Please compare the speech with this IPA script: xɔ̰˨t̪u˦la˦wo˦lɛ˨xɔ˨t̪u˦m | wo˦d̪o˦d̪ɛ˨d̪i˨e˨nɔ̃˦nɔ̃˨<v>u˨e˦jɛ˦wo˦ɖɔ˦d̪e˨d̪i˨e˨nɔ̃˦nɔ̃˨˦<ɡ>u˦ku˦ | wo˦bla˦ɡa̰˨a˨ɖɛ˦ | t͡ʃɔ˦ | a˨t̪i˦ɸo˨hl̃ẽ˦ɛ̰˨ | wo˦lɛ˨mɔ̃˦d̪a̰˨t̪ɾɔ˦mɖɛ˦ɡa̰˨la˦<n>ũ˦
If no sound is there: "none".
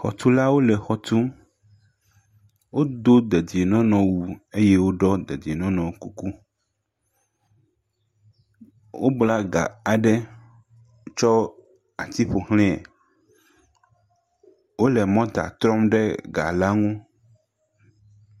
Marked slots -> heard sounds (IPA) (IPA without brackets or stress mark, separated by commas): w, k, ŋ